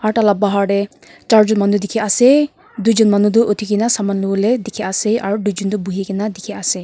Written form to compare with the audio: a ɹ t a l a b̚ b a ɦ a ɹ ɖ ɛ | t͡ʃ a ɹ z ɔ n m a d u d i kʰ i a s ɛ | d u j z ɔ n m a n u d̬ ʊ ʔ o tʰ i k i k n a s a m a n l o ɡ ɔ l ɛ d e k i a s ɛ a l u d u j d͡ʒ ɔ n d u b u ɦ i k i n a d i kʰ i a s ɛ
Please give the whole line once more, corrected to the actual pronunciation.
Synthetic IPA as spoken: a ɹ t a l a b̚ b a ɦ a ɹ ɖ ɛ | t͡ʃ a ɹ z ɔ n m a n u d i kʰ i a s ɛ | d u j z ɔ n m a n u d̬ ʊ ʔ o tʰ i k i n a s a m a n l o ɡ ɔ l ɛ d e kʰ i a s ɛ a ɹ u d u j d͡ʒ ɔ n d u b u ɦ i k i n a d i kʰ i a s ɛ

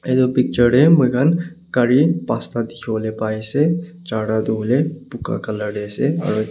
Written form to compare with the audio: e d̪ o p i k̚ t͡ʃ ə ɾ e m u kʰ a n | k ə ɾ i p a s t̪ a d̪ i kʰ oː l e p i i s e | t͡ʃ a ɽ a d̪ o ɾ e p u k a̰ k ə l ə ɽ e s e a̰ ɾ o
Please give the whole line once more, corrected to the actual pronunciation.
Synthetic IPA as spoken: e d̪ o p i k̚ t͡ʃ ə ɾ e m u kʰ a n | k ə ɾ i p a s t̪ a d̪ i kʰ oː l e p a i s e | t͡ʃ a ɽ a d̪ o l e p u k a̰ k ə l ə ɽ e s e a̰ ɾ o

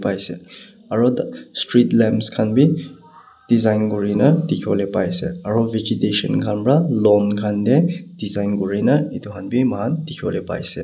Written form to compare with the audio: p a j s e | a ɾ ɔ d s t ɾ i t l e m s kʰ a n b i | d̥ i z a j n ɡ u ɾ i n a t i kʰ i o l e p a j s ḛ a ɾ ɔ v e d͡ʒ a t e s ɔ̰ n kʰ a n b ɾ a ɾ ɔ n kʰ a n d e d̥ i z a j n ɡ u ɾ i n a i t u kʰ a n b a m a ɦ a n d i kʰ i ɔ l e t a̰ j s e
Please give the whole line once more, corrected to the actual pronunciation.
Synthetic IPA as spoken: p a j s e | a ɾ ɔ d s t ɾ i t l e m s kʰ a n b i | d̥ i z a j n ɡ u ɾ i n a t i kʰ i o l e p a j s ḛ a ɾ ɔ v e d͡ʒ i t e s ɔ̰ n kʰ a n b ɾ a l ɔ n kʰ a n d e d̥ i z a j n ɡ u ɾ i n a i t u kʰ a n b i m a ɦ a n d i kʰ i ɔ l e p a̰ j s e

